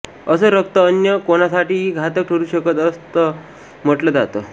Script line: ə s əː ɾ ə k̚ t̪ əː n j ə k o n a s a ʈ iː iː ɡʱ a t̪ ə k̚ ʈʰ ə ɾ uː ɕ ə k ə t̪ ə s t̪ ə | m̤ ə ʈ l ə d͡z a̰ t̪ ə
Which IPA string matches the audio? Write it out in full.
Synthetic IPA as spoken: ə s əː ɾ ə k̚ t̪ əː n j ə k o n a s a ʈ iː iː ɡʱ a t̪ ə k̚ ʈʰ ə ɾ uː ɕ ə k ə t̪ ə s t̪ ə | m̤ ə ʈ l ə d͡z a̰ t̪ ə